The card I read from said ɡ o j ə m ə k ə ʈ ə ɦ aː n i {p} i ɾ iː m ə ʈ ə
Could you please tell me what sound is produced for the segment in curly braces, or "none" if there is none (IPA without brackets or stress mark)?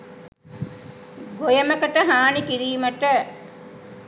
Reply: k